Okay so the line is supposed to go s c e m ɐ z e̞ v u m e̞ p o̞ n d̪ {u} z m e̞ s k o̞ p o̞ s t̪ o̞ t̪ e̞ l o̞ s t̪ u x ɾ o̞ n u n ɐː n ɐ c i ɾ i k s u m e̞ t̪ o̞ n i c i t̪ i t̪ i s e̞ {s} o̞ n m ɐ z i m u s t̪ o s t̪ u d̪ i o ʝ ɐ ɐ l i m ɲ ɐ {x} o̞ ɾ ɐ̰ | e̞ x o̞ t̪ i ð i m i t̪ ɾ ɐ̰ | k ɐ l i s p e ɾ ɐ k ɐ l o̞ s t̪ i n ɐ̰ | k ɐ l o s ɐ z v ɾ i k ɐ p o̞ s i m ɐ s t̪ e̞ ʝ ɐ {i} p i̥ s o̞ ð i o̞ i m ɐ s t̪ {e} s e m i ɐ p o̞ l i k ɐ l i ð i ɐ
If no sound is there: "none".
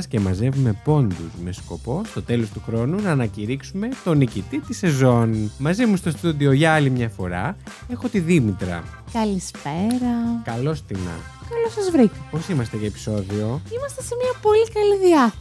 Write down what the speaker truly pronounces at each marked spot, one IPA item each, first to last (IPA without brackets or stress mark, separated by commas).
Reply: u, z, f, e, e